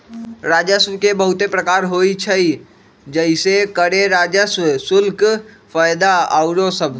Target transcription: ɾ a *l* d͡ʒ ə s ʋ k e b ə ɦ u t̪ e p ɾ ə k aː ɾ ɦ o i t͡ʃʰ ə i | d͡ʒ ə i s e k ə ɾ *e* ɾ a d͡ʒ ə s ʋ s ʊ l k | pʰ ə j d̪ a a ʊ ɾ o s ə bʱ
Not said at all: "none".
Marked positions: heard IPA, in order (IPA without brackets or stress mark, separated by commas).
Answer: none, e